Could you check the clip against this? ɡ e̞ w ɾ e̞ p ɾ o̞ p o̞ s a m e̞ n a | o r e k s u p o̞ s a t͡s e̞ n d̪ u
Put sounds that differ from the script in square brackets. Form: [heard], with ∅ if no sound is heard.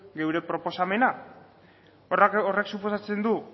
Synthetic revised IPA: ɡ e̞ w ɾ e̞ p ɾ o̞ p o̞ s a m e̞ n a | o r e k s u p o̞ s a t͡s e̞ n d̪ u